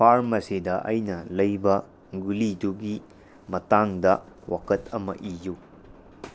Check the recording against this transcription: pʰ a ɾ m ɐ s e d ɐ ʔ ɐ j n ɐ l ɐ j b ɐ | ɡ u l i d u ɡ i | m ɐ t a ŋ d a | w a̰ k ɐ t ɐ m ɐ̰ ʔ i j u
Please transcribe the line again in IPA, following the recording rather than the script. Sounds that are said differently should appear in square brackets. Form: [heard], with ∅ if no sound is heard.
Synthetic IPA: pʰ a ɾ m ɐ s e d ɐ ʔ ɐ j n ɐ l ɐ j b ɐ | ɡ u l i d u ɡ i | m ɐ t a ŋ d [ɐ] | w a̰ k ɐ t ɐ m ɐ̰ ʔ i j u